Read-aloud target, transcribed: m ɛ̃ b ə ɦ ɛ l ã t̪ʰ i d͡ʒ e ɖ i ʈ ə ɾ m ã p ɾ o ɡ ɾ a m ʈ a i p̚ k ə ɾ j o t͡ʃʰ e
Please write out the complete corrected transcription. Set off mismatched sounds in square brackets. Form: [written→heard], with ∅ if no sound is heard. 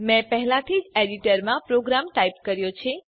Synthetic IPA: m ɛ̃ [b→p] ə ɦ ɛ l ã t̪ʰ i d͡ʒ e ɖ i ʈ ə ɾ m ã p ɾ o ɡ ɾ a m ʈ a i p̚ k ə ɾ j o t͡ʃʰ e